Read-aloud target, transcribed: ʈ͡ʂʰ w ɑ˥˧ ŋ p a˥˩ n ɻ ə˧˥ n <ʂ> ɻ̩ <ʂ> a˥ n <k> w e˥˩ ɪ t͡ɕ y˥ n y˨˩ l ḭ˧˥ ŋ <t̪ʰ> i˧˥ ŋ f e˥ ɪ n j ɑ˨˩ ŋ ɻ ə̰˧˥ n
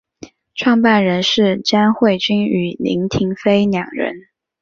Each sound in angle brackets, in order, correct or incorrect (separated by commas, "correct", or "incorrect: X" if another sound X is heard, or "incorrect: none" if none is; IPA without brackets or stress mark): correct, incorrect: ʈ͡ʂ, incorrect: x, correct